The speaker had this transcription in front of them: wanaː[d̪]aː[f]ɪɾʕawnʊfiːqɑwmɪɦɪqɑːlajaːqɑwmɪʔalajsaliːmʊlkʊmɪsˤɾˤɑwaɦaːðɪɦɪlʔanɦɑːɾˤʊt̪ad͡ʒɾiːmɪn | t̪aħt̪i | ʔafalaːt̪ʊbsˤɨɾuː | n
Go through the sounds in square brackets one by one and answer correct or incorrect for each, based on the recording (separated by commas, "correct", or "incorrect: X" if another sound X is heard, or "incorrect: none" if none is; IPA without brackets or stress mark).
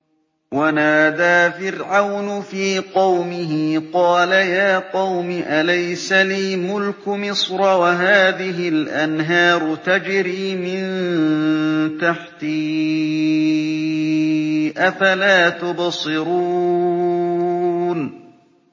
correct, correct